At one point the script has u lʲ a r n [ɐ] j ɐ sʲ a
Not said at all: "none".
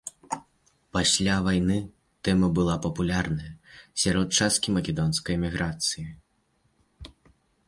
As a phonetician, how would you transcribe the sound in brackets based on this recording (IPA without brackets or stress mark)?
ɐ